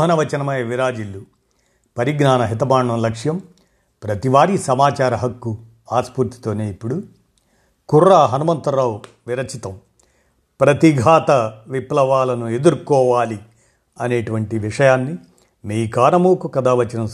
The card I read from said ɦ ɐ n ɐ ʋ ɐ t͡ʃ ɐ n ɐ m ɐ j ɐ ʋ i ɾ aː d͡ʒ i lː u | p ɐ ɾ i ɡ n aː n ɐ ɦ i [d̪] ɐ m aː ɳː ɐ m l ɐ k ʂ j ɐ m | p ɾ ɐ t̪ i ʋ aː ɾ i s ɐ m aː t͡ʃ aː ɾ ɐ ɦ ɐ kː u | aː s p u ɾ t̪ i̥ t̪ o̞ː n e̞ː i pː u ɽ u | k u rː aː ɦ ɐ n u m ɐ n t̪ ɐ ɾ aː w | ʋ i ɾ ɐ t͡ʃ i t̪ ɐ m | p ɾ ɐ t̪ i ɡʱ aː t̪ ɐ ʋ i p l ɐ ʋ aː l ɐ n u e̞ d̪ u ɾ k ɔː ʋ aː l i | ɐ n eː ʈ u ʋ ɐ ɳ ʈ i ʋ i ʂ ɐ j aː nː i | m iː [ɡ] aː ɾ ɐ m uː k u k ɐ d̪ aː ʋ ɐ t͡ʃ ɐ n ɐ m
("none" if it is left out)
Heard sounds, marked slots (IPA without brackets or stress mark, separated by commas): t̪, k